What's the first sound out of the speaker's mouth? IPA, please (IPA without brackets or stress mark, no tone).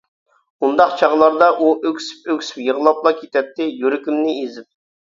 u